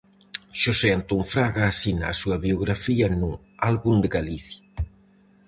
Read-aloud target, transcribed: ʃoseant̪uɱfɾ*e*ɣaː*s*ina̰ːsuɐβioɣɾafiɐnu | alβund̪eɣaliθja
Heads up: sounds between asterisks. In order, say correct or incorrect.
incorrect, correct

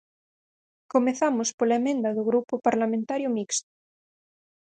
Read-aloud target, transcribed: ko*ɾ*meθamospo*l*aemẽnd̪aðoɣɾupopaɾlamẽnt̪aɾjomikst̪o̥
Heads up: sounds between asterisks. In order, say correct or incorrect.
incorrect, correct

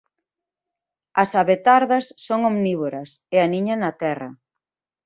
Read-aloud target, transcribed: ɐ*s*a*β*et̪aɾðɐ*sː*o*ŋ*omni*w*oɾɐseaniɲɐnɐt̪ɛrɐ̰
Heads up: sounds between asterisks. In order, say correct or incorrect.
correct, correct, correct, correct, incorrect

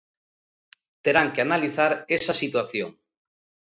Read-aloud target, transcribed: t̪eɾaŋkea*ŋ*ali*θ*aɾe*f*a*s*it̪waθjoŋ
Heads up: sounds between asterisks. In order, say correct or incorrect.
incorrect, correct, incorrect, correct

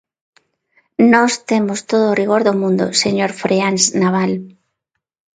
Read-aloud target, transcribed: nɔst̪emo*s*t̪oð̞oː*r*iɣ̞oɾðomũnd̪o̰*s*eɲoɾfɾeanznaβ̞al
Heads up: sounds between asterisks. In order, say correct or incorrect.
correct, correct, correct

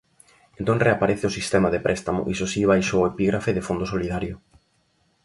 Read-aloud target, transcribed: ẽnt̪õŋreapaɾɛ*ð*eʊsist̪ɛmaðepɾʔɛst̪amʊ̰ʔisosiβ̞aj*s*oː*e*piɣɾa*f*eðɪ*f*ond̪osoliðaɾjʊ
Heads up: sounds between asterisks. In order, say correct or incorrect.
incorrect, incorrect, correct, correct, correct

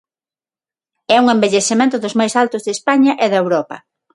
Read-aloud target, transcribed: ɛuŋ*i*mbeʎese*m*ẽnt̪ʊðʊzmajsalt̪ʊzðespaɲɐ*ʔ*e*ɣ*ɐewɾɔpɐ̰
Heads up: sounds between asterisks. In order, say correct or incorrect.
incorrect, correct, correct, incorrect

